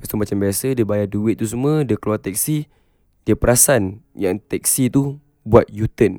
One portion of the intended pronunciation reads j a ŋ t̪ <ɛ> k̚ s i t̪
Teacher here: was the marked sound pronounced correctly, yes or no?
yes